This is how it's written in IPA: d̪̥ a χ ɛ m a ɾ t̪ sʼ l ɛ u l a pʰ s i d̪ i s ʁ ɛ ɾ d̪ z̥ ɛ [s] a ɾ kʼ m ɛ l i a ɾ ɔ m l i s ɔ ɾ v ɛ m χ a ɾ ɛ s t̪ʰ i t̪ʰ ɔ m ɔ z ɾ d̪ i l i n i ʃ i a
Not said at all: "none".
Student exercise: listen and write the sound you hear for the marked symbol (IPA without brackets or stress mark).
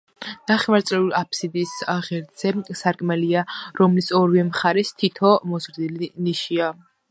s